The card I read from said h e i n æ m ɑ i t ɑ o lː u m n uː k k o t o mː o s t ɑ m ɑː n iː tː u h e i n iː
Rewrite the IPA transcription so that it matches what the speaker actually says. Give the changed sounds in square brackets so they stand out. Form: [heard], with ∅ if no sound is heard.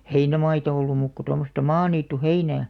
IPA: h e i n æ m ɑ i t ɑ o lː u m [m] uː k k o t o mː o s t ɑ m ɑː n iː tː u h e i n [æː]

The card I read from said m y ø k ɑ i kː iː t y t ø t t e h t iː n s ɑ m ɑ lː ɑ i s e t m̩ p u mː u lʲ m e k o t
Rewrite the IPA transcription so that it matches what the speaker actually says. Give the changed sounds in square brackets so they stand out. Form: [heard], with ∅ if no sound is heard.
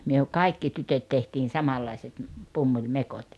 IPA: m y ø k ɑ i kː [i] t y t ø t t e h t iː n s ɑ m ɑ lː ɑ i s e t m̩ p u mː u lʲ m e k o t

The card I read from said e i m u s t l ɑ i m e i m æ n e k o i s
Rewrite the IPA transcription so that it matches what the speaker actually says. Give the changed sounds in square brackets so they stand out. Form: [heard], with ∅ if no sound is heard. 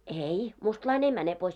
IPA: e i m u s t l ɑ i [n] e i m æ n e [p] o i s

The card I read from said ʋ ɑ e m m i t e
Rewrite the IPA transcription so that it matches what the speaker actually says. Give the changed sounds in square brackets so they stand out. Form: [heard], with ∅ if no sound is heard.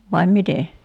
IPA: ʋ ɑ [i] m m i t e

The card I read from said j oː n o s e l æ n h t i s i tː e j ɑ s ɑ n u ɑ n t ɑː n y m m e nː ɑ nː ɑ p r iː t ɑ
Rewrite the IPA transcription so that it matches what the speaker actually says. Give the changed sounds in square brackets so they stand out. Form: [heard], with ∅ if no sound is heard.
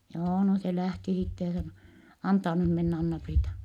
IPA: j oː n o s e l æ [∅] h t i s i tː e j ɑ s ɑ n [o] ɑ n t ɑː n y m m e nː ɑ nː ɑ p r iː t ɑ

